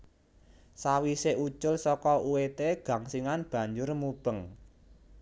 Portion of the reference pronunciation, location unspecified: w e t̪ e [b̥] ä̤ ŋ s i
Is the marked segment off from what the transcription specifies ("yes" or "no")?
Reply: yes